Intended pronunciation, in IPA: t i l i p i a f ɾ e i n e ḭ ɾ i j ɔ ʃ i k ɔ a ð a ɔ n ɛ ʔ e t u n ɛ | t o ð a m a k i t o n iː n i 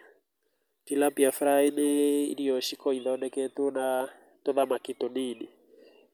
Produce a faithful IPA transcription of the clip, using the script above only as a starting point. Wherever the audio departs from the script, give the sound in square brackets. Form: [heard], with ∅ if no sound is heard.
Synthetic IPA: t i l [a] p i a f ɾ [a] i n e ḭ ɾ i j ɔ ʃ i k ɔ [i] ð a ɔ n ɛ [k] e t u n [a] | t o ð a m a k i t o n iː n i